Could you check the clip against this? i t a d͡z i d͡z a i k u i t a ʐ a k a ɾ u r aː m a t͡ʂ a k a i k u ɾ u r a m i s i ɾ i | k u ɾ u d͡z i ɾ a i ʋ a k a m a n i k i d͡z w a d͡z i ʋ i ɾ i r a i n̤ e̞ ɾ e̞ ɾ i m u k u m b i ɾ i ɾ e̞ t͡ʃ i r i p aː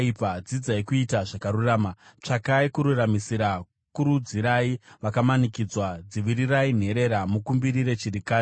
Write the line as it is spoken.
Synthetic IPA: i p a d͡z i d͡z a i k u i t a ʐ a k a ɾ u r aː m a t͡ʂ a k a i k u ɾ u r a m i s i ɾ a | k u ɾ u d͡z i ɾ a i ʋ a k a m a n i k i d͡z w a d͡z i ʋ i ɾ i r a i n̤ e̞ ɾ e̞ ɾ a m u k u m b i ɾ i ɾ e̞ t͡ʃ i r i k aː